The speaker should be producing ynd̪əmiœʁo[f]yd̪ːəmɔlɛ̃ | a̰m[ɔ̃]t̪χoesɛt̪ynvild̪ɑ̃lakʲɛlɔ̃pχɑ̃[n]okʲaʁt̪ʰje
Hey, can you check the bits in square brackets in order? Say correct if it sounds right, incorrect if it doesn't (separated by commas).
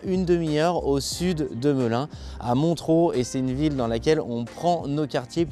incorrect, correct, correct